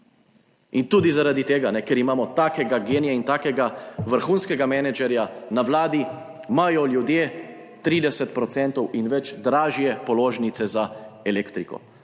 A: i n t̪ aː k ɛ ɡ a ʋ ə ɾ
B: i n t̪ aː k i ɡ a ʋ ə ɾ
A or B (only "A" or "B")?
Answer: A